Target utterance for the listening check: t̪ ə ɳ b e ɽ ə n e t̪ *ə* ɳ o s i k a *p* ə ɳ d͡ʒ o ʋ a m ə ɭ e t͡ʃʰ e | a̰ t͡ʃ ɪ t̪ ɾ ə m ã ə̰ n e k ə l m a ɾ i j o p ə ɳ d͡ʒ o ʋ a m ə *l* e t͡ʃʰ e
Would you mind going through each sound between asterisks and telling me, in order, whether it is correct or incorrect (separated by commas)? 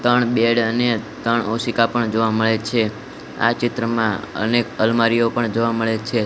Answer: correct, correct, incorrect